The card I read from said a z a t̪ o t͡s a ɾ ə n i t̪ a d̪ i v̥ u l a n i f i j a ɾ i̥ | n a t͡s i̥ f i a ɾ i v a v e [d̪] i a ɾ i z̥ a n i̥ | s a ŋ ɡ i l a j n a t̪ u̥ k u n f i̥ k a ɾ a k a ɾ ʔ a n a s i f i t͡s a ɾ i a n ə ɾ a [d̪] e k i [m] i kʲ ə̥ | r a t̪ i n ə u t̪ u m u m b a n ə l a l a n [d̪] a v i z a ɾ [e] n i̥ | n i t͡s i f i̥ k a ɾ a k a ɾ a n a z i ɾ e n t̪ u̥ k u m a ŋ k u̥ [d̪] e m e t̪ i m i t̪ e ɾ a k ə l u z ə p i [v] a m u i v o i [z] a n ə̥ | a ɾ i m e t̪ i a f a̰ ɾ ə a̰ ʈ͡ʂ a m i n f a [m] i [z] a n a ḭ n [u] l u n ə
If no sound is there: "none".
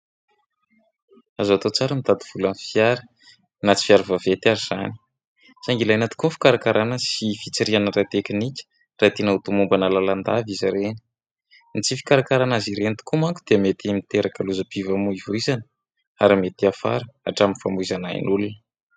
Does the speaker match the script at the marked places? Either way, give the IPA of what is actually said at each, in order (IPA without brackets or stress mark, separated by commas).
t̪, t̪, n, d̪, e, d̪, v, z, m, z, u